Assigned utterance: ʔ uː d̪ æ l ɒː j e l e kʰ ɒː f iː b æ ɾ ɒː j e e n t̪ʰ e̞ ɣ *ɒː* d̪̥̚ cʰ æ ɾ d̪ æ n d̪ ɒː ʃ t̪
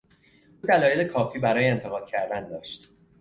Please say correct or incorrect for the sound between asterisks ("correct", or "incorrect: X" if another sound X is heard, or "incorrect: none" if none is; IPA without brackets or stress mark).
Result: correct